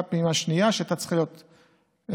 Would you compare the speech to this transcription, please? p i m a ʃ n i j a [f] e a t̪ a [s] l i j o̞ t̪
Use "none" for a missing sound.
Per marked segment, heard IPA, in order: ʃ, t͡s

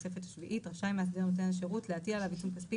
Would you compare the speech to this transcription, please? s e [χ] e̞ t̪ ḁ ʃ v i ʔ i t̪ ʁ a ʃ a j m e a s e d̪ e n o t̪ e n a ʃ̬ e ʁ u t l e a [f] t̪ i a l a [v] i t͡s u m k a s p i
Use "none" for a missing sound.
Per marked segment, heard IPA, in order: f, none, v

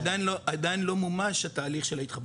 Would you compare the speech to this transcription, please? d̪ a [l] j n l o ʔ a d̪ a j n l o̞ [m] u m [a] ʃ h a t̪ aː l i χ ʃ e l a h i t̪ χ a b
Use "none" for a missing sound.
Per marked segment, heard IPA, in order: none, m, a

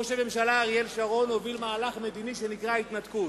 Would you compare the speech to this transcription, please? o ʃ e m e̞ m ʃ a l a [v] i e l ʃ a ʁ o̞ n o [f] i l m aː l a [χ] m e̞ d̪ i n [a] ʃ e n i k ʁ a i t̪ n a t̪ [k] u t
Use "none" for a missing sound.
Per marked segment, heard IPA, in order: ʁ, v, χ, i, k

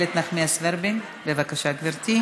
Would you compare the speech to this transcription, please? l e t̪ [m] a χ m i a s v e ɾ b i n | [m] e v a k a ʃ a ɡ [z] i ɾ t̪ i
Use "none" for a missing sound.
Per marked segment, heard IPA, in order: n, b, v

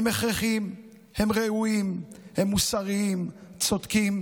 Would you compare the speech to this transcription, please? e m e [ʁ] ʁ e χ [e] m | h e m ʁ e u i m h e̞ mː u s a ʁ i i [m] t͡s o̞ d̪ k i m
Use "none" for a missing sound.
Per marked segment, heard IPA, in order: χ, i, m

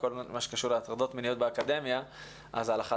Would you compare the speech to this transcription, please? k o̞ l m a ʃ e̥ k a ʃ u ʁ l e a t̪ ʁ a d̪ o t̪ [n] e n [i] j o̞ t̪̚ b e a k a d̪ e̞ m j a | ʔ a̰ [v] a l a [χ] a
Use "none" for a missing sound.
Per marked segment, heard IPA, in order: m, i, z, χ

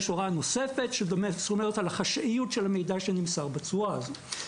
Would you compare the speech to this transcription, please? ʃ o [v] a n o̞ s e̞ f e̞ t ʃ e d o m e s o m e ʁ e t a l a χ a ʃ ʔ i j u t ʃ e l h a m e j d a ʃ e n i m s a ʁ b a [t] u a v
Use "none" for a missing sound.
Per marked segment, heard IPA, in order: ʁ, t͡s

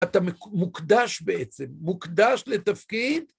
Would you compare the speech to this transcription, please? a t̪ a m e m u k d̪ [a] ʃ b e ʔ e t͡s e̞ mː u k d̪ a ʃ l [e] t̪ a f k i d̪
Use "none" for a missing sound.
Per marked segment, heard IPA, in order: a, e

